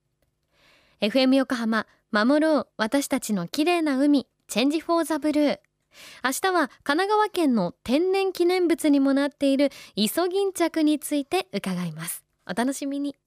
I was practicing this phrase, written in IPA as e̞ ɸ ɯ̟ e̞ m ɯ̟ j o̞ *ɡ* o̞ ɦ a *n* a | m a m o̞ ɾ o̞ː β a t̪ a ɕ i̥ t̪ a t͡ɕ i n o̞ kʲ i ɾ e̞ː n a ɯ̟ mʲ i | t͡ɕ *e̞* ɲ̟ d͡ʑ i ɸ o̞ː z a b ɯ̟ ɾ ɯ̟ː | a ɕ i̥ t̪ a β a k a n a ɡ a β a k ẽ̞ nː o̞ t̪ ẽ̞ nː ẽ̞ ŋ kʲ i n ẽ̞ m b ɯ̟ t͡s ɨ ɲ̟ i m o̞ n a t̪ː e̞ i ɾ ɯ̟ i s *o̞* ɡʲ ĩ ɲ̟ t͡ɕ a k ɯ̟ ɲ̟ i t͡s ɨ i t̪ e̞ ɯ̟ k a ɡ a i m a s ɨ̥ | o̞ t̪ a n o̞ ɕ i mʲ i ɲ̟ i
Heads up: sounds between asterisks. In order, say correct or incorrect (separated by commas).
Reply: incorrect, incorrect, incorrect, correct